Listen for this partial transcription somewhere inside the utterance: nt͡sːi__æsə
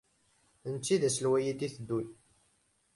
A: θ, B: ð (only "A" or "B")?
B